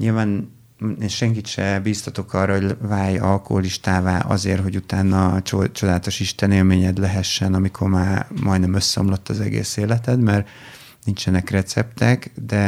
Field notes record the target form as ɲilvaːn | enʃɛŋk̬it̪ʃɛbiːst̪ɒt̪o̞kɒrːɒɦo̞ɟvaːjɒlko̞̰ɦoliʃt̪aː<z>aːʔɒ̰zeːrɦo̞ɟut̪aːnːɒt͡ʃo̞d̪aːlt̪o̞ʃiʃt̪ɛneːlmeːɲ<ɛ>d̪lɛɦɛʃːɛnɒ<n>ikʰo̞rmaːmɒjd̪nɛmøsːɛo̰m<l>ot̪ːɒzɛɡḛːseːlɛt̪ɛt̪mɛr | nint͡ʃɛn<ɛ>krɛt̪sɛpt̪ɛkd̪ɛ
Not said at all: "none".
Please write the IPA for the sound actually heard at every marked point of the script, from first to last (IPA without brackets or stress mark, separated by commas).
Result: v, ɛ, m, l, ɛ